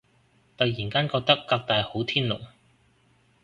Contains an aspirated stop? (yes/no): yes